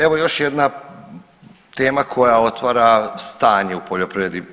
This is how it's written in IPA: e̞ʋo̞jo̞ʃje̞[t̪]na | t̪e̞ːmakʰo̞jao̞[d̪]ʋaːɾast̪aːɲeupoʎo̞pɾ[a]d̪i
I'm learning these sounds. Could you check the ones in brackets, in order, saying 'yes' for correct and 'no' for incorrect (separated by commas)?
no, no, no